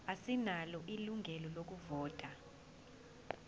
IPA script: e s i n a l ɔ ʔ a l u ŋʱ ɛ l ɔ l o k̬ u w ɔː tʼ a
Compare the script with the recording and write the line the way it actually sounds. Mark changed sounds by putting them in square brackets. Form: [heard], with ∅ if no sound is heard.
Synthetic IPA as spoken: [a] s i n a l ɔ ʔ [i] l u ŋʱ ɛ l ɔ l o k̬ u [v] ɔː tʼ a